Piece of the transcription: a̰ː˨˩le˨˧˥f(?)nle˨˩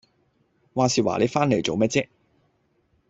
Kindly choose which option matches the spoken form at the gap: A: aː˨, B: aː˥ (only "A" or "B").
B